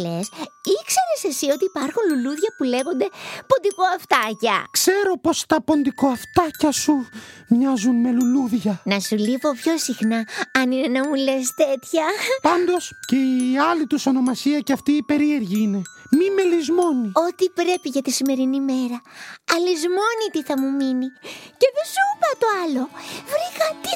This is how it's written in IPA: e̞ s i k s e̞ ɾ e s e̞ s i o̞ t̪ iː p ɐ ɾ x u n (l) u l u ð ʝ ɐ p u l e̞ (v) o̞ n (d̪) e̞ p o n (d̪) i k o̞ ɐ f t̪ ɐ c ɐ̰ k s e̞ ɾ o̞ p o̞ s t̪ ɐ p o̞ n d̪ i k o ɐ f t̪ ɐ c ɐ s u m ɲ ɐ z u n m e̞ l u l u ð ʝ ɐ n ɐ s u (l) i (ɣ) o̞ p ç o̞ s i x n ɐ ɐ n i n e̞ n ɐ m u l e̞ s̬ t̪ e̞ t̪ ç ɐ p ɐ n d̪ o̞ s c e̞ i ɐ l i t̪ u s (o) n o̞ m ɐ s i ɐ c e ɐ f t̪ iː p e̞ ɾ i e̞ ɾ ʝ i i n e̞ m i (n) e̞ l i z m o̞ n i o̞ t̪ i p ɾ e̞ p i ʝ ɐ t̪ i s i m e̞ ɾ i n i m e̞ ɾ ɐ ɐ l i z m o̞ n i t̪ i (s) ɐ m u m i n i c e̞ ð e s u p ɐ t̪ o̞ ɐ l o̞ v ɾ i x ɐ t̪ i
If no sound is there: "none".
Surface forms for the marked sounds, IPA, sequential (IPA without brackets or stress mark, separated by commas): l, ɣ, d̪, d̪, l, v, o, m, θ